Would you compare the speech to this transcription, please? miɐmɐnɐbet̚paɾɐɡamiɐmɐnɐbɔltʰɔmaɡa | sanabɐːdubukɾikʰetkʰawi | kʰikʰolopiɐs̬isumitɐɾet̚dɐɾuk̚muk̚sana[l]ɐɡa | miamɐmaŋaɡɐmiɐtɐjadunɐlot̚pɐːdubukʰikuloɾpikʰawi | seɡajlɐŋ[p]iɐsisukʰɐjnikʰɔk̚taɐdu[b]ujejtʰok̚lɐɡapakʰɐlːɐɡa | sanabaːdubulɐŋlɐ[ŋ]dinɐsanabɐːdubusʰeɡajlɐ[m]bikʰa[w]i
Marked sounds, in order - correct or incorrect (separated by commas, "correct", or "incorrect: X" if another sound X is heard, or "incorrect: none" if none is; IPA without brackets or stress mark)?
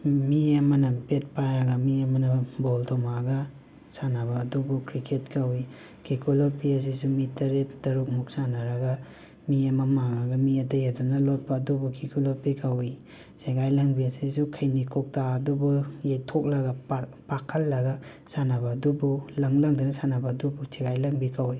incorrect: ɾ, incorrect: b, correct, correct, incorrect: ŋ, correct